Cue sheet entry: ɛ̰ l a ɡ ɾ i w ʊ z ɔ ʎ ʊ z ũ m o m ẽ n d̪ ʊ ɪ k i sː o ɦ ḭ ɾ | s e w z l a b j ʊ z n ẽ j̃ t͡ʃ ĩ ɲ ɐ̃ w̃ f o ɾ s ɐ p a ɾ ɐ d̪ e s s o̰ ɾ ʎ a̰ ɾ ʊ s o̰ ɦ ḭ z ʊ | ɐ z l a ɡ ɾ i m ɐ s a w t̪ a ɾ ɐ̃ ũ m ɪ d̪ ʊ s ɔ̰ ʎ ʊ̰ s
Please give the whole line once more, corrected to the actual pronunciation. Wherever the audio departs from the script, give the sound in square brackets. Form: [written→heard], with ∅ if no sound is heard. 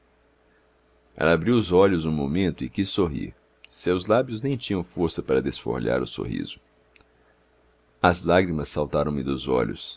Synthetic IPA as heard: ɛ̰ l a [ɡ→b] ɾ i w ʊ z ɔ ʎ ʊ z ũ m o m ẽ n [d̪→t̪] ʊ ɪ k i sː o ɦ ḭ ɾ | s e w z l a b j ʊ z n ẽ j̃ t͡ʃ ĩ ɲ ɐ̃ w̃ f o ɾ s ɐ p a ɾ ɐ d̪ e s [s→f] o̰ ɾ ʎ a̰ ɾ ʊ s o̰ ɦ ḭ z ʊ | ɐ z l a ɡ ɾ i m ɐ s a w t̪ a ɾ ɐ̃ [ũ→w̃] m ɪ d̪ ʊ [s→z] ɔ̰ ʎ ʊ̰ s